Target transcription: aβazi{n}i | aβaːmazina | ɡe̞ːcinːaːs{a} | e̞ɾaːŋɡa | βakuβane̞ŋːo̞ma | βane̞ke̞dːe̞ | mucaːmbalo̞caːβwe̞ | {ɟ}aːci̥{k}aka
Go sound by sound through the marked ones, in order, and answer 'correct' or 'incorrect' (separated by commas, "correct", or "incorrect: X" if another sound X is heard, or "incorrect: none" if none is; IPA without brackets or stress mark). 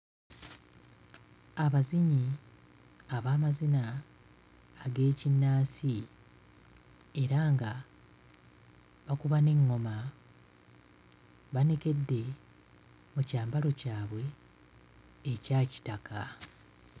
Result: incorrect: ɲ, incorrect: i, incorrect: c, incorrect: t